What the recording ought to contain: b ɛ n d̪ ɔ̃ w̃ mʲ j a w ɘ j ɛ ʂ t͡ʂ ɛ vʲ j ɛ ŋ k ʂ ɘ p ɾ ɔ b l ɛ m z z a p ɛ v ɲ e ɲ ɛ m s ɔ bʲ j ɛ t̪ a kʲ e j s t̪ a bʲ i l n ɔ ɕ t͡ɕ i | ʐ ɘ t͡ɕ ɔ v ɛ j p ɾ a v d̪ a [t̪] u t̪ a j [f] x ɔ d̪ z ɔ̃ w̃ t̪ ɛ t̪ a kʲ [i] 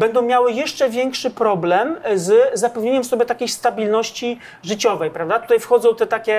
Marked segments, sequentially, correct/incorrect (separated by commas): correct, correct, incorrect